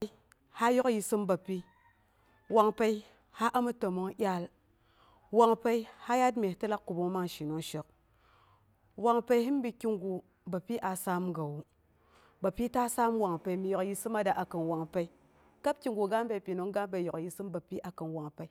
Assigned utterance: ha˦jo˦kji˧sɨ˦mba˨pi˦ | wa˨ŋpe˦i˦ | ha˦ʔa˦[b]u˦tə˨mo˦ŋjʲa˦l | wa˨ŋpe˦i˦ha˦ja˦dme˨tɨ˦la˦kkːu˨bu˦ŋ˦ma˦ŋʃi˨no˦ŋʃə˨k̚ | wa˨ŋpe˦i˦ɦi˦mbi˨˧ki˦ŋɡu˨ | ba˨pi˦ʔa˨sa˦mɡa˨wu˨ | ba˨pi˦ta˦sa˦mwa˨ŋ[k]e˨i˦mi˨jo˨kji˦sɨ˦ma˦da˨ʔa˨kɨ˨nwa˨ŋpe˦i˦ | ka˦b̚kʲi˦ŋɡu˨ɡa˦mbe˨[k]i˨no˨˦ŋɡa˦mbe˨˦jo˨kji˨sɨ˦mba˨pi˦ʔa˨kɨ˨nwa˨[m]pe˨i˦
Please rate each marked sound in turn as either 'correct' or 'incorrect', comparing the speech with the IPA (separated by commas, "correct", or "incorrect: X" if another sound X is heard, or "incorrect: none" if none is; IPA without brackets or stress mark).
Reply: incorrect: m, incorrect: p, incorrect: p, incorrect: ŋ